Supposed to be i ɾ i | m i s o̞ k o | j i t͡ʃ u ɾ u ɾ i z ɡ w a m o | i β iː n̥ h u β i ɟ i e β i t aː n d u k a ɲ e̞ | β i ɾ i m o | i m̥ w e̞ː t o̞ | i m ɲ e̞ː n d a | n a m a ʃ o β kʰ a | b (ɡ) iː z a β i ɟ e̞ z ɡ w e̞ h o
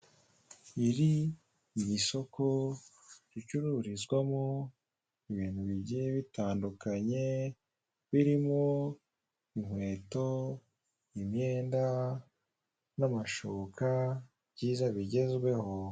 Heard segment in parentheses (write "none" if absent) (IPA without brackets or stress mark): ɟ